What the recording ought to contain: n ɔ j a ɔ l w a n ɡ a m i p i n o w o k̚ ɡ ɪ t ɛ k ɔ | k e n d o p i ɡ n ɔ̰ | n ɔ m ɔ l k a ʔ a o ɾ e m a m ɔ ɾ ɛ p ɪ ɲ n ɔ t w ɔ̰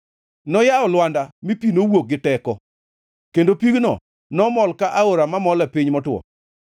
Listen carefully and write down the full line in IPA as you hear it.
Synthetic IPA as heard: n ɔ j a ɔ l w a n d a m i p i n o w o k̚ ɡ ɪ t ɛ k ɔ | k e n d o p i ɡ n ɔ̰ | n ɔ m ɔ l k a ʔ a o ɾ a m a m ɔ l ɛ p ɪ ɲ m ɔ t w ɔ̰